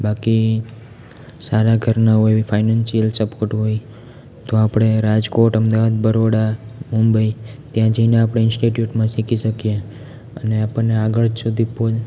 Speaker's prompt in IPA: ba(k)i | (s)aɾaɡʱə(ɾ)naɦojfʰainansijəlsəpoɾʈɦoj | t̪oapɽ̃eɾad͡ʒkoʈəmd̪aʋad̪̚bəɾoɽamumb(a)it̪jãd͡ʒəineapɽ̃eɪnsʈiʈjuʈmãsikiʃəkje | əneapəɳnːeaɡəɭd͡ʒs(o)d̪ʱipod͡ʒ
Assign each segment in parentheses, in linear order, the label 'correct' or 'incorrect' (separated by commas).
correct, correct, correct, incorrect, incorrect